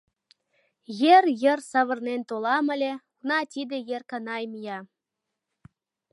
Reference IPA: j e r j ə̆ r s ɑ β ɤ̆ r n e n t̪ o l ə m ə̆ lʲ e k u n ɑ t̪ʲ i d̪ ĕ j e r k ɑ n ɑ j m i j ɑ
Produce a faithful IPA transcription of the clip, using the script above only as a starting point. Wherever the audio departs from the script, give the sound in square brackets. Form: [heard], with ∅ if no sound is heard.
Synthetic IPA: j e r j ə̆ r s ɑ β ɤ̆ r n e n t̪ o l [ɑ] m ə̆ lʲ e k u n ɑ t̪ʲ i d̪ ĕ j e r k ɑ n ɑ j m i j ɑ